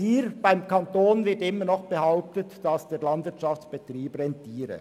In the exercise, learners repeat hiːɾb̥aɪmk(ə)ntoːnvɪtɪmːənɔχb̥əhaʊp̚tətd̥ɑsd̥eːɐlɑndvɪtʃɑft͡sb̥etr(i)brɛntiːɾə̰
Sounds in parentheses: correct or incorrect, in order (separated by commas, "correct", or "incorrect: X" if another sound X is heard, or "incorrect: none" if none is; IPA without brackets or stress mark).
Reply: incorrect: ɑ, incorrect: iː